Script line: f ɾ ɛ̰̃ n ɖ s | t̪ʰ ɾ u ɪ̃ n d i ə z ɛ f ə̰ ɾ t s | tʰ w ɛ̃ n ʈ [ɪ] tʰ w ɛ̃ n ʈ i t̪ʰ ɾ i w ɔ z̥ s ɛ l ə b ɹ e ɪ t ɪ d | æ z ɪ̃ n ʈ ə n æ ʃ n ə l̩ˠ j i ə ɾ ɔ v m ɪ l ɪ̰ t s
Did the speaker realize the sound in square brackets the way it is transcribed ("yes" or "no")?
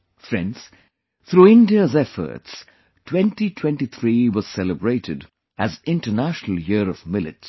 no